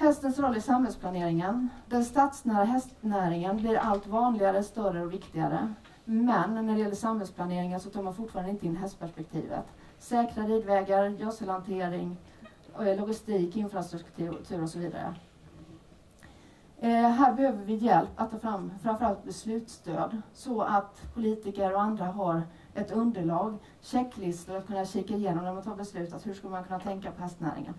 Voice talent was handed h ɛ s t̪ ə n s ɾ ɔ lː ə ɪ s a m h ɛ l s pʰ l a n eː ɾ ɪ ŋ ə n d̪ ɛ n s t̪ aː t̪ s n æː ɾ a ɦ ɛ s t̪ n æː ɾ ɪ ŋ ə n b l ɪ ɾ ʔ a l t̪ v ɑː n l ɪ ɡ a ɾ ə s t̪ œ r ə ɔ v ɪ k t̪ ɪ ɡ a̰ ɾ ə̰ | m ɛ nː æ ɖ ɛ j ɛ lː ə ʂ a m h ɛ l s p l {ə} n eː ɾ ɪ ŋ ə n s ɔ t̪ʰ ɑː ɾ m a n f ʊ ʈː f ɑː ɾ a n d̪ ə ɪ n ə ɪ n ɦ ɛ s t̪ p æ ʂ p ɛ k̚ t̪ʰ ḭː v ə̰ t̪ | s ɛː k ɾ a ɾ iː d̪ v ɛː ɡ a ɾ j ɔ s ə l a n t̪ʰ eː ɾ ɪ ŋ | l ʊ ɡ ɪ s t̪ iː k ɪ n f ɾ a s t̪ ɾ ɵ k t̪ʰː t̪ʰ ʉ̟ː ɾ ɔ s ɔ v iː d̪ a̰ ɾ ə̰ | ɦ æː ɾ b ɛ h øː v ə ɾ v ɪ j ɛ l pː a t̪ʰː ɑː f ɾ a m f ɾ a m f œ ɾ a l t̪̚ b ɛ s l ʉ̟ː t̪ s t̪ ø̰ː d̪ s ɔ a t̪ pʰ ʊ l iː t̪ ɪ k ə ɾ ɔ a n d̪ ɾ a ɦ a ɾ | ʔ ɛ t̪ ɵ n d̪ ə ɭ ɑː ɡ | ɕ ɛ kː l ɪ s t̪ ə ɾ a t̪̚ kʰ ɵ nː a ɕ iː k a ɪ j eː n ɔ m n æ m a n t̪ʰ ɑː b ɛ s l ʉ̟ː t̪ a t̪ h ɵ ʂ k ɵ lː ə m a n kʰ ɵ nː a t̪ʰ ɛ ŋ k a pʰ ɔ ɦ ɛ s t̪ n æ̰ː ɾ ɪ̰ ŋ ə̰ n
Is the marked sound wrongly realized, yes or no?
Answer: yes